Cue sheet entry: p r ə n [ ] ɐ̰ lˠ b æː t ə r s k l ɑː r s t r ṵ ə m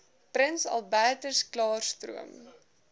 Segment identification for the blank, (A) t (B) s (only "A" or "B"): B